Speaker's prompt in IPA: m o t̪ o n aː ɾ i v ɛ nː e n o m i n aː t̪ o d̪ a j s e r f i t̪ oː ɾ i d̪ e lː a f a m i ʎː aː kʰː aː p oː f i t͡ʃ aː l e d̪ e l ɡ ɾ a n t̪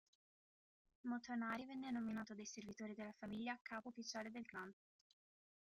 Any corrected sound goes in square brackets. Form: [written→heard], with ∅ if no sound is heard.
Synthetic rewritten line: m o t̪ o n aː ɾ i v ɛ nː e n o m i n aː t̪ o d̪ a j s e r [f→v] i t̪ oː ɾ i d̪ e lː a f a m i ʎː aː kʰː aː p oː f i t͡ʃ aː l e d̪ e l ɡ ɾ a n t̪